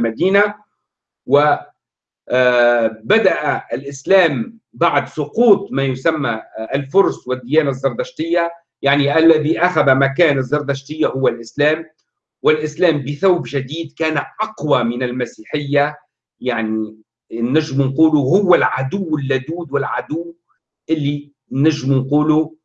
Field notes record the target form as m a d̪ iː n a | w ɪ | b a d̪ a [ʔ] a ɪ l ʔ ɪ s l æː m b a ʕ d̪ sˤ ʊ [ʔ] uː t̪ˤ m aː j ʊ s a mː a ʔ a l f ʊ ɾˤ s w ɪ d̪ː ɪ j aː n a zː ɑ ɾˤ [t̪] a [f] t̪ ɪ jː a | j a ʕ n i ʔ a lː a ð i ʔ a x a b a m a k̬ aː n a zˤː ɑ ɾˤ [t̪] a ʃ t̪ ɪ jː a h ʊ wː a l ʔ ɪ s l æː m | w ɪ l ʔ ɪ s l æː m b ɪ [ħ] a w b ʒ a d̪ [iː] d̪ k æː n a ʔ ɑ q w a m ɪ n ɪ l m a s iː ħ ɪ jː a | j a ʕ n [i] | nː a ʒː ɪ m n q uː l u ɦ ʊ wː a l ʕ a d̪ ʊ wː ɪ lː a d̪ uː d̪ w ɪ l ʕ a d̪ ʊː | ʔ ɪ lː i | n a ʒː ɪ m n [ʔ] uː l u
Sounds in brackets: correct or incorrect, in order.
correct, incorrect: q, incorrect: d̪, incorrect: ʃ, incorrect: d̪, incorrect: θ, correct, correct, incorrect: q

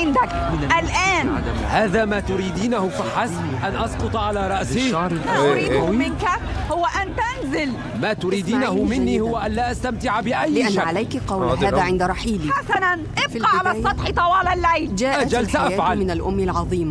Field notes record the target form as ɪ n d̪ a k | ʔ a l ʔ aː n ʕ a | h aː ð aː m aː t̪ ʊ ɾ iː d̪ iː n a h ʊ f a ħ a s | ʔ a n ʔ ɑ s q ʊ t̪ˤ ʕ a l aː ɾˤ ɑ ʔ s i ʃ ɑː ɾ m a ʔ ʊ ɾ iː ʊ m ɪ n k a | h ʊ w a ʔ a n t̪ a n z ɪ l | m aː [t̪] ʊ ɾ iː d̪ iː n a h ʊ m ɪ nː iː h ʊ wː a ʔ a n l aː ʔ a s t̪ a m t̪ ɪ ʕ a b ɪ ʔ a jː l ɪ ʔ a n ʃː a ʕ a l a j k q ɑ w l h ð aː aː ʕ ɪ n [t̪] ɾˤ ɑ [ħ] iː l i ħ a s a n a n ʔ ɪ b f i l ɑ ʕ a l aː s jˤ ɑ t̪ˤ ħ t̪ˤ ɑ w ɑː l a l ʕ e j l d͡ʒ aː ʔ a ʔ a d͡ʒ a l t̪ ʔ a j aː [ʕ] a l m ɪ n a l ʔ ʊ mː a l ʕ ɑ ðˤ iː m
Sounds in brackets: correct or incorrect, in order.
correct, incorrect: d̪, correct, correct

